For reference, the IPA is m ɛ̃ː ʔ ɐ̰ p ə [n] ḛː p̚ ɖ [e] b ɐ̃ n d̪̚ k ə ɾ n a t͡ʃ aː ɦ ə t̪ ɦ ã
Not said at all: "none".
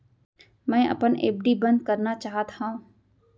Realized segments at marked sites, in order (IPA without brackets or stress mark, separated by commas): n, i